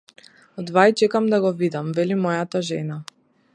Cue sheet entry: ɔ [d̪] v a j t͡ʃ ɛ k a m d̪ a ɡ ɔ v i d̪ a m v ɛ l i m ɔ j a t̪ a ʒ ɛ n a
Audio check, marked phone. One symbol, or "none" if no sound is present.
d̪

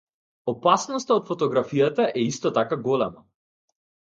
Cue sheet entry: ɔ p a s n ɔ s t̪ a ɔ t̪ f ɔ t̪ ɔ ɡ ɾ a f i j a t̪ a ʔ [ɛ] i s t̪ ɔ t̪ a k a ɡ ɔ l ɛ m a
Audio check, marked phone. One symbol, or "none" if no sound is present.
ɛ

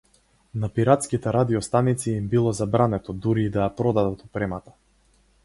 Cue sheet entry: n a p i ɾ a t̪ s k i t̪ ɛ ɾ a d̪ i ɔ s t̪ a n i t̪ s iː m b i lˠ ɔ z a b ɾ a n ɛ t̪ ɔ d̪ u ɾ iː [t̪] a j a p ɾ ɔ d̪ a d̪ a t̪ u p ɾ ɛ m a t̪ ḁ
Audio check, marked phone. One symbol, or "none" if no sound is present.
d̪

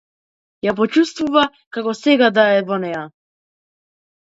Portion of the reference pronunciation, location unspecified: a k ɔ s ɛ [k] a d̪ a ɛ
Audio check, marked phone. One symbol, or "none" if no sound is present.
ɡ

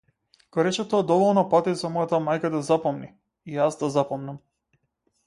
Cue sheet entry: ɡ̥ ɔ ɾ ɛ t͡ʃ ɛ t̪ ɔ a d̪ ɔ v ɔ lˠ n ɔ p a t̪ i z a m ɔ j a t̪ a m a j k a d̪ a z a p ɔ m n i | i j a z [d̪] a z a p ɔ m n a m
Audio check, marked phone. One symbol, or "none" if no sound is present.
d̪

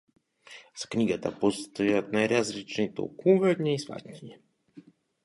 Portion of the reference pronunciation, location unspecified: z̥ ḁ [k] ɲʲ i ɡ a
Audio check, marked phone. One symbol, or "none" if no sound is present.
k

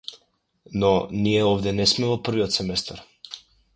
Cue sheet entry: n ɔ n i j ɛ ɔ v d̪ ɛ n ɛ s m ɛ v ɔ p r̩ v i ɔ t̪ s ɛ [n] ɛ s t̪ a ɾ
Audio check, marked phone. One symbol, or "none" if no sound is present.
m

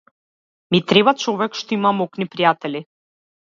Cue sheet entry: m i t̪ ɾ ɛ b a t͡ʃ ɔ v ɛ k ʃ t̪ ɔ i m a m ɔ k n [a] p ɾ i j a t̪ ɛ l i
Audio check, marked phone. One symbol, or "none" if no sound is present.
i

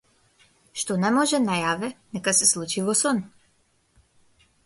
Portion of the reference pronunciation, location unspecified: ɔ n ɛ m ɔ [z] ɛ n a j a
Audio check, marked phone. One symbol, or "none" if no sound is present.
ʒ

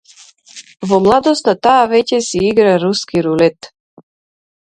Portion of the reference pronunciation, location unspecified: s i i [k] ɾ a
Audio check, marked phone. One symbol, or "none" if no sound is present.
ɡ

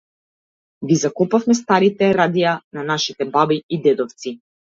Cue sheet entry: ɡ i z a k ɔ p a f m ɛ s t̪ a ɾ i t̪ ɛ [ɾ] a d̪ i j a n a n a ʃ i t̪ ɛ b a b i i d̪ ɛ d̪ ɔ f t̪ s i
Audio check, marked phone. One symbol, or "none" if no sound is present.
ɾ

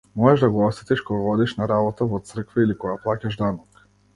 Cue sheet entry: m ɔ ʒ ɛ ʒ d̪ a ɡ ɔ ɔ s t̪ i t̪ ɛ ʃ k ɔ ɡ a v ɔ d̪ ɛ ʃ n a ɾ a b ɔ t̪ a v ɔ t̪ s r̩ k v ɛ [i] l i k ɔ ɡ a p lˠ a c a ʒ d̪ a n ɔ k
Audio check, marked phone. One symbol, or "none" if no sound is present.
i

